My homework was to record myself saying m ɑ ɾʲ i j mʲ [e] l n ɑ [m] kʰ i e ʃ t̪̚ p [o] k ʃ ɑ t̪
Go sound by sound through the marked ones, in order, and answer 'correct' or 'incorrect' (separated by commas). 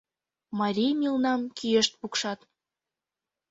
incorrect, correct, incorrect